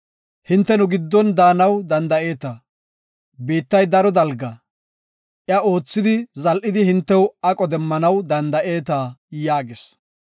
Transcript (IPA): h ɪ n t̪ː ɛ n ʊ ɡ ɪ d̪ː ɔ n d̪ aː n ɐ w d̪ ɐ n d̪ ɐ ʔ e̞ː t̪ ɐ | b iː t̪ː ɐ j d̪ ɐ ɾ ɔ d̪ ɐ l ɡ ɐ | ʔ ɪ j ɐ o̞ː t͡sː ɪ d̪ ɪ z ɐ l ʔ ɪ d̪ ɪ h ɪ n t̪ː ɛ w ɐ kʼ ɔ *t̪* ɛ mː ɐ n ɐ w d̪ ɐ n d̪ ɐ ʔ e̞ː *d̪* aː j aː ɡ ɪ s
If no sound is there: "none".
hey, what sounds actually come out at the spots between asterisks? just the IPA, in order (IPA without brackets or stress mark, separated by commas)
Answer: d̪, t̪